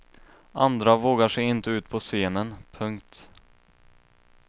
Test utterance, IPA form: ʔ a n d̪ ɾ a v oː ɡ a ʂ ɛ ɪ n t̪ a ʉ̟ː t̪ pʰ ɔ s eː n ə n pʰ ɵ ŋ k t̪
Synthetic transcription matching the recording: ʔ a n d̪ ɾ a v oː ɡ a ʂ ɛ ɪ n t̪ ə ʉ̟ː t̪ pʰ ɔ s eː n ə n pʰ ɵ ŋ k t̪